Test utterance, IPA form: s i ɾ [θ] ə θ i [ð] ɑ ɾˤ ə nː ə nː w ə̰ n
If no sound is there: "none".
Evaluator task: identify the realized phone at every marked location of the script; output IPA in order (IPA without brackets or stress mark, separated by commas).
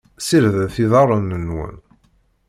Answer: ð, ð